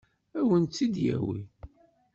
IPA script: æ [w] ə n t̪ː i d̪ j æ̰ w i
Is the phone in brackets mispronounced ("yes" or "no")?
no